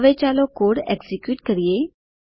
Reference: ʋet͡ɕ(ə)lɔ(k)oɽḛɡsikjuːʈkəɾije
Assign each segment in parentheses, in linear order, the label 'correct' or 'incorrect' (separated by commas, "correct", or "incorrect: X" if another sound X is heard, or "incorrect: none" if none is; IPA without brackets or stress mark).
incorrect: a, correct